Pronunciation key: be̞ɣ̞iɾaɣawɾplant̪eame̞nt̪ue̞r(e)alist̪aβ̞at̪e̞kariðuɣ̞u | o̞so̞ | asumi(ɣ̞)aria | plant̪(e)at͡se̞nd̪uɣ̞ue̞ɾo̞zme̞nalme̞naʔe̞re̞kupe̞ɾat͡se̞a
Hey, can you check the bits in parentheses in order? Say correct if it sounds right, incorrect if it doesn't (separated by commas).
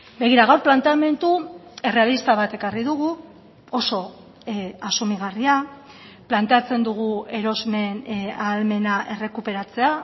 correct, correct, correct